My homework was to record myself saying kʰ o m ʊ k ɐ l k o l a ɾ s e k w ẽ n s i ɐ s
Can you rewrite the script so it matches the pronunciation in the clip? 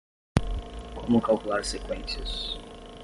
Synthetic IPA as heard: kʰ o m ʊ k a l k u l a ɾ s e k w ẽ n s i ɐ s